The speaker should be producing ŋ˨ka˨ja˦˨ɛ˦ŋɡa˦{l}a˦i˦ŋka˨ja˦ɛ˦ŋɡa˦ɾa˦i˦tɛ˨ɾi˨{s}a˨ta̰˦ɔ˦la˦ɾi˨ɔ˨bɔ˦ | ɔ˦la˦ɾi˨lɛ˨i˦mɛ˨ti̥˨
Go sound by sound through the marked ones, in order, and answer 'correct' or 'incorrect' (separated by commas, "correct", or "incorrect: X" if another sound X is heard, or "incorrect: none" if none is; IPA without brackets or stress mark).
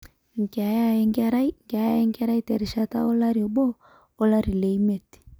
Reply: incorrect: ɾ, incorrect: ʃ